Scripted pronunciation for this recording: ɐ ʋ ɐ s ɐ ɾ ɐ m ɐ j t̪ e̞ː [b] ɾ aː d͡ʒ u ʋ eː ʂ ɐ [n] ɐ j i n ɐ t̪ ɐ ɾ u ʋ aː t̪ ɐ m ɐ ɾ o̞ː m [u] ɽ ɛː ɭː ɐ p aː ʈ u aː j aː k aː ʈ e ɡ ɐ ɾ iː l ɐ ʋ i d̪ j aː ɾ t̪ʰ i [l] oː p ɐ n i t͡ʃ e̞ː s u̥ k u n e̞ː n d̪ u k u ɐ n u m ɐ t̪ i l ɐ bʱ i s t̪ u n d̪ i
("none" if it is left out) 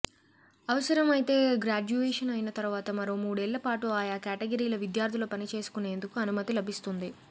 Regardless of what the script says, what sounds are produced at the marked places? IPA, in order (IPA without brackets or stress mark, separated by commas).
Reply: ɡ, n, uː, l